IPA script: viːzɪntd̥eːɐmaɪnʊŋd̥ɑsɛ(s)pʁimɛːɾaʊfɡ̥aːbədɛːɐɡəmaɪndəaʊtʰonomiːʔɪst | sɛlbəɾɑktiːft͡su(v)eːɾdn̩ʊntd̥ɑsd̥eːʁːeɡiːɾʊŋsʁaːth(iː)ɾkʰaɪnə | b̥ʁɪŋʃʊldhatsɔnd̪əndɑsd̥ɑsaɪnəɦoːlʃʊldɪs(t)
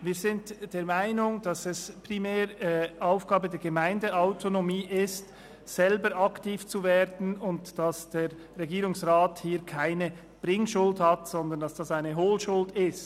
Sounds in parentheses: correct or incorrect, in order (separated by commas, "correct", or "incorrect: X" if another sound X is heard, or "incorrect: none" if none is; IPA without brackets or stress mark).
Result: correct, correct, correct, correct